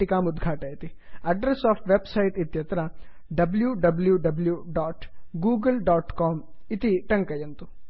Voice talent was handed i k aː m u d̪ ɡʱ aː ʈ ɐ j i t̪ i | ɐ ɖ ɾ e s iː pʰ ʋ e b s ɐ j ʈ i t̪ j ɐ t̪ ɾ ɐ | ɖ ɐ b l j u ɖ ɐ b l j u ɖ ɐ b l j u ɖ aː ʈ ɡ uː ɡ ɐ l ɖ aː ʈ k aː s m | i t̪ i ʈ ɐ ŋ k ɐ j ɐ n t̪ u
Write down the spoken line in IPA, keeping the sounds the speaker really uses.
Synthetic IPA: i k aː m u d̪ ɡʱ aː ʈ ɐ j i t̪ i | ɐ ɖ ɾ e s aː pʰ ʋ e b s ɐ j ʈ i t̪ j ɐ t̪ ɾ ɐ | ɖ ɐ b l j u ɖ ɐ b l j u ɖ ɐ b l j u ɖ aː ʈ ɡ uː ɡ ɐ l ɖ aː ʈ k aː m | i t̪ i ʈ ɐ ŋ k ɐ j ɐ n t̪ u